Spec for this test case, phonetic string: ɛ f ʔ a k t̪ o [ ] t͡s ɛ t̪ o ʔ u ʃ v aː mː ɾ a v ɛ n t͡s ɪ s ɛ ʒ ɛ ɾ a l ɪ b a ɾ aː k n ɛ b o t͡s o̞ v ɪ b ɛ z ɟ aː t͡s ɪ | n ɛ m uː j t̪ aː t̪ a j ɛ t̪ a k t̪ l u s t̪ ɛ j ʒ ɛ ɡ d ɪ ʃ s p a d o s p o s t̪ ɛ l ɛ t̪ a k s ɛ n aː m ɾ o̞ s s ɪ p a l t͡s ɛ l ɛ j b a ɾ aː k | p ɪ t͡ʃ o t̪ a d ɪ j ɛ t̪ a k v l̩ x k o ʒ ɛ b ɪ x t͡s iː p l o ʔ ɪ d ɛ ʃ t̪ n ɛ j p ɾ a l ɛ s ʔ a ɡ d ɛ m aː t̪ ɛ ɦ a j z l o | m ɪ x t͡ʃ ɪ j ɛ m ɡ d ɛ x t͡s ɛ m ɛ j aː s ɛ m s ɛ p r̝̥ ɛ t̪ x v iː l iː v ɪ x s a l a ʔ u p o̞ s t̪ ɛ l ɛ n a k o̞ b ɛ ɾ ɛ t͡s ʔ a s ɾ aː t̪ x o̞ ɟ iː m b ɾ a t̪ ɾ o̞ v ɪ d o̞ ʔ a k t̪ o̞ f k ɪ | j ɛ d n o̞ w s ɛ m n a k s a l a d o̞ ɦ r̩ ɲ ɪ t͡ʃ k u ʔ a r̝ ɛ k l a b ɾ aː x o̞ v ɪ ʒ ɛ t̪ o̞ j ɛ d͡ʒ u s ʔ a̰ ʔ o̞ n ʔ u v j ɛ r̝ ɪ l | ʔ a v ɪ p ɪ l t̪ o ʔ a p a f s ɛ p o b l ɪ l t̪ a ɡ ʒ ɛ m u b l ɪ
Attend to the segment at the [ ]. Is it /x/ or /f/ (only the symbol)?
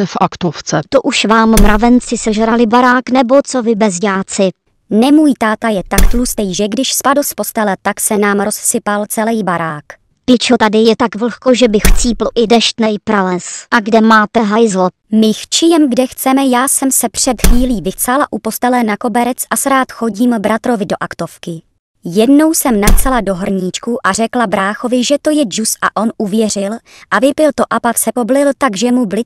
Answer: f